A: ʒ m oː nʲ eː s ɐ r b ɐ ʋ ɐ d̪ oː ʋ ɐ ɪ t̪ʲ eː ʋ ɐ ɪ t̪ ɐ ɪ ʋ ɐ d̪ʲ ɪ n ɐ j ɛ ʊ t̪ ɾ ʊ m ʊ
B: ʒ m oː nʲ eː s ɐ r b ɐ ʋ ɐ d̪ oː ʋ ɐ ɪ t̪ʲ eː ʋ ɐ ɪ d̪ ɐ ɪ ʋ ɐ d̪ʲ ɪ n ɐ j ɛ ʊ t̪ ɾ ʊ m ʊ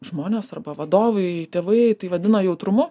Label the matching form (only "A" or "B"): A